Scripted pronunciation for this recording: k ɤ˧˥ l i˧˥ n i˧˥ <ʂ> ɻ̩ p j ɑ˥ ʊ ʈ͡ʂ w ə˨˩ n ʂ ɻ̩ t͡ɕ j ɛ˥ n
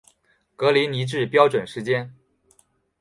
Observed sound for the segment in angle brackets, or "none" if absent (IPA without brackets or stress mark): ʈ͡ʂ